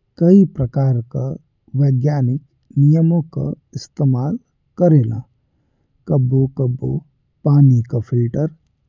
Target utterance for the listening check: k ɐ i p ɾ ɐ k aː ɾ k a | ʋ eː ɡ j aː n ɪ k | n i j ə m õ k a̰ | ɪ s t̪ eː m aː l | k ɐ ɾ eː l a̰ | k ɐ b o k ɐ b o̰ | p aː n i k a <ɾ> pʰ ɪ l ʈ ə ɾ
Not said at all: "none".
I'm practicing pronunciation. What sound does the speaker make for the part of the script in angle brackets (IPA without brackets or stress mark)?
none